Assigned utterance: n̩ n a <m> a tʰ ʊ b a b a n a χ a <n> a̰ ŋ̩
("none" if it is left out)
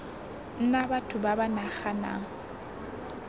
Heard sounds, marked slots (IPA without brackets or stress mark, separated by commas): b, n